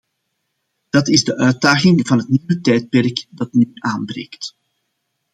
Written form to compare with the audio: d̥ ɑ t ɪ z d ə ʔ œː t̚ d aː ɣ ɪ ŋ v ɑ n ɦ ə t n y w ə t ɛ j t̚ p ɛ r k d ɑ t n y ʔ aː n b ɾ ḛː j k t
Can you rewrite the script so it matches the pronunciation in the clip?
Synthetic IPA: d̥ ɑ t ɪ z d ə ʔ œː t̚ d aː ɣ ɪ ŋ v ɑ n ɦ ə t n i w ə t ɛ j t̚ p ɛ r k d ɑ t n y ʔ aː n b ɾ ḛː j k t